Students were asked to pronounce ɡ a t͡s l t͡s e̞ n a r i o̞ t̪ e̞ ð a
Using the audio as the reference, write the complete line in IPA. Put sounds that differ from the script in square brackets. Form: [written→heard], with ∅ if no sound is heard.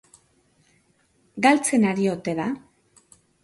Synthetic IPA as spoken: ɡ a [t͡s→∅] l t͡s e̞ n a [r→ɾ] i o̞ t̪ e̞ ð a